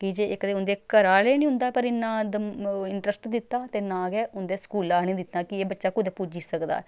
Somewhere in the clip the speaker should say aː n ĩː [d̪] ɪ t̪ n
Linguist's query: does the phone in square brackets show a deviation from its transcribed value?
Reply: no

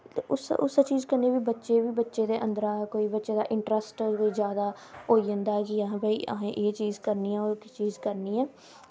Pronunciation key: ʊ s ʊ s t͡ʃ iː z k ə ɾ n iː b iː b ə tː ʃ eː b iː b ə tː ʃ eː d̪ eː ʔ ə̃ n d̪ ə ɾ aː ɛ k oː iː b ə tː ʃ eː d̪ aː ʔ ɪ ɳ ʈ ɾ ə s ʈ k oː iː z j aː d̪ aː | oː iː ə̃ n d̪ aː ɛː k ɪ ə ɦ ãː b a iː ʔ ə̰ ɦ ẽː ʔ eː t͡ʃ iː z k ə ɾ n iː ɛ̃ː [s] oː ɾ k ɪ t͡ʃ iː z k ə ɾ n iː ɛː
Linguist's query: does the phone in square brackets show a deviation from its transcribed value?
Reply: yes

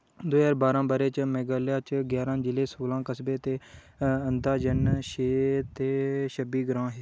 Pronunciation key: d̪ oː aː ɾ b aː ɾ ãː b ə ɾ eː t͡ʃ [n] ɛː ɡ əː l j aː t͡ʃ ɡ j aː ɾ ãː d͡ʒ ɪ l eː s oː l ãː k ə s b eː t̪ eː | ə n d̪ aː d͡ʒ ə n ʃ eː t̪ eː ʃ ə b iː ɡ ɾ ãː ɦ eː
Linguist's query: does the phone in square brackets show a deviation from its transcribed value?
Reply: yes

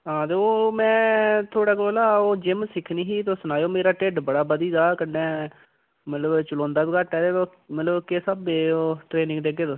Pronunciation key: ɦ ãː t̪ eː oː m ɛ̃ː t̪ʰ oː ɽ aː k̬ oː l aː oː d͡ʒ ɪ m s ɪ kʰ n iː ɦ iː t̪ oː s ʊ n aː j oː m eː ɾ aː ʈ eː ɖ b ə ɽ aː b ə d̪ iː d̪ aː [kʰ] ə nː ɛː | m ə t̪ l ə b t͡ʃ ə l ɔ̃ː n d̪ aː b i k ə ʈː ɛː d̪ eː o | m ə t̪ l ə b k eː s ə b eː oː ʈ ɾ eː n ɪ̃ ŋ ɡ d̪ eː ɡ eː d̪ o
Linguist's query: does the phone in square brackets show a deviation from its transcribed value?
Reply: yes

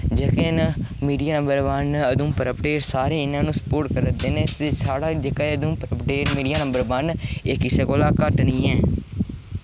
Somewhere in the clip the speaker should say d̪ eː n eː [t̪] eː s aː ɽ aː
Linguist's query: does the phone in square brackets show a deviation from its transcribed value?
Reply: no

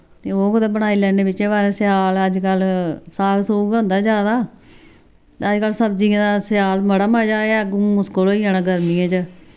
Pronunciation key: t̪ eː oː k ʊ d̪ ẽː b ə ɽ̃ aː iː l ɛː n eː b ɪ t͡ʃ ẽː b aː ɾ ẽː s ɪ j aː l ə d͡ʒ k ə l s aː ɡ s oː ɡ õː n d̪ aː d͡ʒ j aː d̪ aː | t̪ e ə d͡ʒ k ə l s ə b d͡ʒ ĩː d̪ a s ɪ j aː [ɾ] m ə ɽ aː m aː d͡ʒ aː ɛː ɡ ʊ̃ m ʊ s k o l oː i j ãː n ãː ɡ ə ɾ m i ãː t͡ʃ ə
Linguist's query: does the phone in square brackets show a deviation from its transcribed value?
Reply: yes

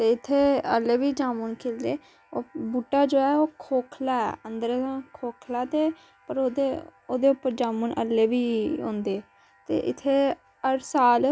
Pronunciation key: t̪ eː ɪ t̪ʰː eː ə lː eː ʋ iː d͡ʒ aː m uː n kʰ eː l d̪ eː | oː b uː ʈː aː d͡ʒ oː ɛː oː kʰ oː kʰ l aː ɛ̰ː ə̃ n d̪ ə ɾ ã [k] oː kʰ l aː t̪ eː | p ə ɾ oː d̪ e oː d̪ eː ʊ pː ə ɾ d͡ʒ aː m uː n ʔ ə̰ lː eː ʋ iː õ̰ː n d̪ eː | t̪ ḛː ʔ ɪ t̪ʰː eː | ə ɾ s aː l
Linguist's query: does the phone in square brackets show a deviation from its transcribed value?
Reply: yes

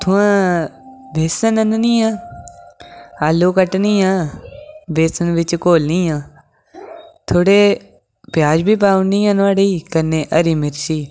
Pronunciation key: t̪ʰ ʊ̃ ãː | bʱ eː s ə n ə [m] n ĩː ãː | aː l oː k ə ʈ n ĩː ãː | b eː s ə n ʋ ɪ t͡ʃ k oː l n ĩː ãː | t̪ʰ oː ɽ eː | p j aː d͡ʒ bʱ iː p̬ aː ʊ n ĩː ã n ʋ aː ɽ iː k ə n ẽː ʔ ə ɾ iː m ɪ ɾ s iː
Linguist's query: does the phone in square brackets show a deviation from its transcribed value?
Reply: yes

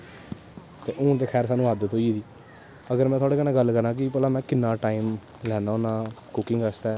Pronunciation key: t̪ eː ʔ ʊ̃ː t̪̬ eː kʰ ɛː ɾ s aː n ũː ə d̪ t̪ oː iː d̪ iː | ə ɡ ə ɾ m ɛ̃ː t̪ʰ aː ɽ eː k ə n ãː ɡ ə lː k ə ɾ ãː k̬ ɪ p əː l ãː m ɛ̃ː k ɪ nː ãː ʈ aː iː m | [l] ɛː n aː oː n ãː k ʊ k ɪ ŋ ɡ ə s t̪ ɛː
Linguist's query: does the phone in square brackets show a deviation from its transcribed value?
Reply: no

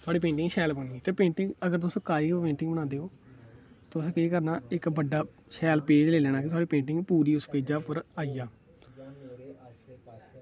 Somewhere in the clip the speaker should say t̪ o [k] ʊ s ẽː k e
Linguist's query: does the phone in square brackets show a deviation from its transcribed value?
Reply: yes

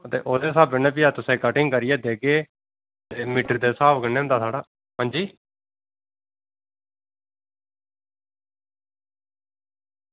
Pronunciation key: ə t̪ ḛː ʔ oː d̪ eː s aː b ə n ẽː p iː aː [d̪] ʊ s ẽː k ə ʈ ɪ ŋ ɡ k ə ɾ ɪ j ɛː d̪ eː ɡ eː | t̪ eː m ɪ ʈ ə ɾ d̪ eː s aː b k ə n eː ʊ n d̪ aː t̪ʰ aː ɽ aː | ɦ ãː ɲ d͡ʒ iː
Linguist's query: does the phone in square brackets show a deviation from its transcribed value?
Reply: yes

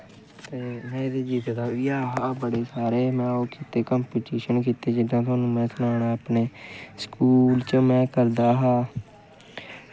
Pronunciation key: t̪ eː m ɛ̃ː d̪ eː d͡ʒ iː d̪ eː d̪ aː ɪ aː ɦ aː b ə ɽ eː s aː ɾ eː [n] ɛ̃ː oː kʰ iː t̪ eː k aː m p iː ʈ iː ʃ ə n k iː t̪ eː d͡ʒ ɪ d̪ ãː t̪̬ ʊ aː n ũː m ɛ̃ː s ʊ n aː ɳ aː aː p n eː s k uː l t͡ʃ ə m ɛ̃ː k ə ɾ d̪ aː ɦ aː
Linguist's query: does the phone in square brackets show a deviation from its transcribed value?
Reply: yes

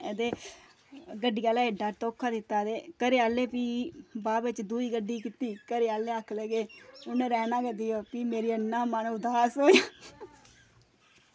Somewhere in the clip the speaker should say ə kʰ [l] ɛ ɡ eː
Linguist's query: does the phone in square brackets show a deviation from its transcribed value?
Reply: no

